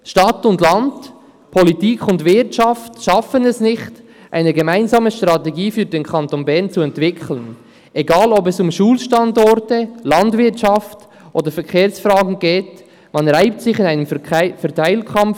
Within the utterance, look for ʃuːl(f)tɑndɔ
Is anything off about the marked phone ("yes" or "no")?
yes